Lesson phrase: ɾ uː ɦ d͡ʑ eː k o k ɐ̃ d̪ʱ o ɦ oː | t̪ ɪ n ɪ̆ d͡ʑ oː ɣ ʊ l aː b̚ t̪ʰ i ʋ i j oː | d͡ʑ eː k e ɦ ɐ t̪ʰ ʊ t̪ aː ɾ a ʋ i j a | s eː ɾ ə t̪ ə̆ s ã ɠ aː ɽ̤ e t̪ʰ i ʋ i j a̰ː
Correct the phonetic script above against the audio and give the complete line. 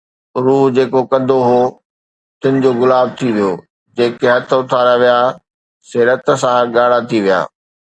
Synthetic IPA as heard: ɾ uː ɦ d͡ʑ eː k o k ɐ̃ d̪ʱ o ɦ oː | t̪ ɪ n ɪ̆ d͡ʑ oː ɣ ʊ l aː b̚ t̪ʰ i ʋ i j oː | d͡ʑ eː k e ɦ ɐ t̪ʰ ʊ t̪ʰ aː ɾ a ʋ i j a | s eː ɾ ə t̪ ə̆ s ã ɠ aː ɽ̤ a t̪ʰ i ʋ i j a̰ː